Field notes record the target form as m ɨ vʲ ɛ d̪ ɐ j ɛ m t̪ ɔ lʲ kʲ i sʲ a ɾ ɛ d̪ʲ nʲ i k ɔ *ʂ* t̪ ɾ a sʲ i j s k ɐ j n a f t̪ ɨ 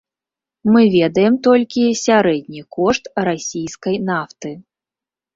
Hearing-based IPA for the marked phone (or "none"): ʂ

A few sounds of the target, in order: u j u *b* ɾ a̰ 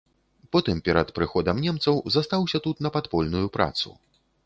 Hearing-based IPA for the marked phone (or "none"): p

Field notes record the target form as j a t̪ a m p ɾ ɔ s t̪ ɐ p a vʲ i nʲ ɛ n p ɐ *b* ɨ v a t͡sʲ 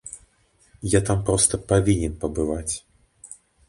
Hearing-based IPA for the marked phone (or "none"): b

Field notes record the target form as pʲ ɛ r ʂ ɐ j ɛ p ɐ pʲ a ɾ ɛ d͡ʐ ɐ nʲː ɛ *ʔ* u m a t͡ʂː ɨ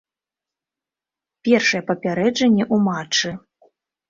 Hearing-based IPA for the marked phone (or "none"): ʔ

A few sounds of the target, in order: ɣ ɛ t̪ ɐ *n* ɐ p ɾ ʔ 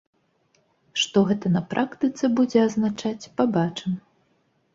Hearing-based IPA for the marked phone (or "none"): n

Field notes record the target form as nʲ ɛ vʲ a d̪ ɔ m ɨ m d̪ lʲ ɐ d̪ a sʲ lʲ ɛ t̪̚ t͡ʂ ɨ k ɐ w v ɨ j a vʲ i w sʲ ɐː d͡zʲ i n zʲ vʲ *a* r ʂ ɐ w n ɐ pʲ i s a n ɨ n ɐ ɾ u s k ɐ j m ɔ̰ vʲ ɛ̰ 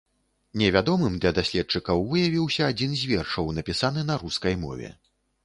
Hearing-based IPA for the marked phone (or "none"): ɛ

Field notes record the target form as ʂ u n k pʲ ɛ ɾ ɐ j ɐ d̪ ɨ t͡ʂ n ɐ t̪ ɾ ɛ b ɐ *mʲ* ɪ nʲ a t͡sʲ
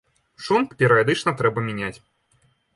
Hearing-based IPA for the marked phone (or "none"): mʲ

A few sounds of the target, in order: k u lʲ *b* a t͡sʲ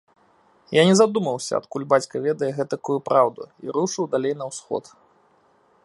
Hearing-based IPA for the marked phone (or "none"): b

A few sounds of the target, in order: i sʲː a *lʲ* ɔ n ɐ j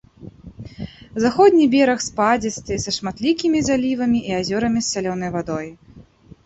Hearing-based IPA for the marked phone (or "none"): lʲ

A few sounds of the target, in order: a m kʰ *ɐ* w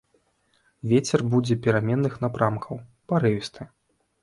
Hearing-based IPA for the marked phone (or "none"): ɐ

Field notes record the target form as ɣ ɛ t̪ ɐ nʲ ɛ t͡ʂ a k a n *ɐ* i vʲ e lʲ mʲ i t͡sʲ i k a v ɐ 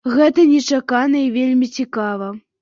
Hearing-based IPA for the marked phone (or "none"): ɐ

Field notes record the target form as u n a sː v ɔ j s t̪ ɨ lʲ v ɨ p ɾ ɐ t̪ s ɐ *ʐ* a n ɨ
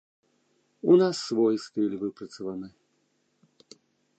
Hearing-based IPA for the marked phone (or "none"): v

